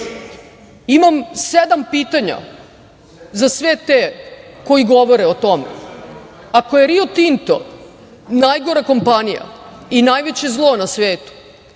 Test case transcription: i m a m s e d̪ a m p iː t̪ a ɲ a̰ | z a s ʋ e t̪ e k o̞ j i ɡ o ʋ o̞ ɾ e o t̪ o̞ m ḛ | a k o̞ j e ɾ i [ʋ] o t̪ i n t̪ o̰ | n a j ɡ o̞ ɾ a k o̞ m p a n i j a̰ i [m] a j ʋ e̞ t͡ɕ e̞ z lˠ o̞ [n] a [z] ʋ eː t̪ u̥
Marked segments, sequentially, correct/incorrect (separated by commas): incorrect, incorrect, correct, incorrect